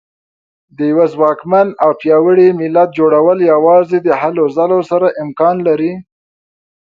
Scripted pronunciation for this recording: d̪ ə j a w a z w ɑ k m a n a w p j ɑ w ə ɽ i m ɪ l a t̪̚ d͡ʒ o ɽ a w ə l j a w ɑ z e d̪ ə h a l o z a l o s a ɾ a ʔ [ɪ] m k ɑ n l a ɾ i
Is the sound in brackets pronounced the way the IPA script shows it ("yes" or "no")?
yes